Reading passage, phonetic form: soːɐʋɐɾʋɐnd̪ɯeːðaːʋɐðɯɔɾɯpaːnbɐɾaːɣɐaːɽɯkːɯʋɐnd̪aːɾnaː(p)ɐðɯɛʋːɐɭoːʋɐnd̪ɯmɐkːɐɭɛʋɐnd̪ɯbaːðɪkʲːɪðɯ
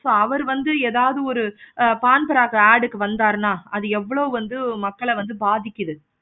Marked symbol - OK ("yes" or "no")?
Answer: no